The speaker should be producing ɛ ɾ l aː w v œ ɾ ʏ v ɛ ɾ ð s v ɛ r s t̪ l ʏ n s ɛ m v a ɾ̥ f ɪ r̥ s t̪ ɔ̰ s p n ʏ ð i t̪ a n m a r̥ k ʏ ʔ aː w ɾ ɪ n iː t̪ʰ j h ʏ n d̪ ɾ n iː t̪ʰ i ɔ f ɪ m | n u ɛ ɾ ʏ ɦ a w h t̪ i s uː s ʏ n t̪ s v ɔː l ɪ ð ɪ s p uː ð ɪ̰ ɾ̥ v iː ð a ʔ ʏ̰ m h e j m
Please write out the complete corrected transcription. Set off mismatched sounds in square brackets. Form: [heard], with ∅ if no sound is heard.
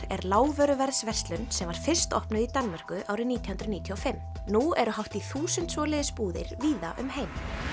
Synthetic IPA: ɛ ɾ l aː w v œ ɾ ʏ v ɛ ɾ ð s v ɛ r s t̪ l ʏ n s ɛ m v a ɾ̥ f ɪ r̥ s t̪ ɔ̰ [h] p n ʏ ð i t̪ a n m a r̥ k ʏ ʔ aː w ɾ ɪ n iː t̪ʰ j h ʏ n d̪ ɾ n iː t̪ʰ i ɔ f ɪ m | n u ɛ ɾ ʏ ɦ a w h t̪ i [θ] uː s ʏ n t̪ s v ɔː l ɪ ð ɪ s p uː ð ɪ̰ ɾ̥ v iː ð a ʔ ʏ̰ m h e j m